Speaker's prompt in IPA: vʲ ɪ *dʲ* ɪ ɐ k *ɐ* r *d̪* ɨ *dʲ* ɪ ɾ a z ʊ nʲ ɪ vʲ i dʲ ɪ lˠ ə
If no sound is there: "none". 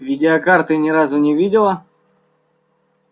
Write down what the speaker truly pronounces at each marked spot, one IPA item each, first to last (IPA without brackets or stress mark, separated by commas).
dʲ, a, t̪, nʲ